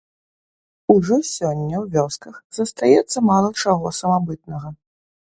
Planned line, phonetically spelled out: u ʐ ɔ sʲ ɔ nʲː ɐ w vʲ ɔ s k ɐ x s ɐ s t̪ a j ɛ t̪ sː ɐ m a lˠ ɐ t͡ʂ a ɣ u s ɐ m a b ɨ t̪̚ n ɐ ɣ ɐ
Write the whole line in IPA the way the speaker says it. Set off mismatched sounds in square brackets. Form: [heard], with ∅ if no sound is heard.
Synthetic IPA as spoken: u ʐ ɔ sʲ ɔ nʲː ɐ w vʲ ɔ s k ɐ x [z] ɐ s t̪ a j ɛ t̪ sː ɐ m a lˠ ɐ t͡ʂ a ɣ [ɔ] s ɐ m a b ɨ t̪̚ n ɐ ɣ ɐ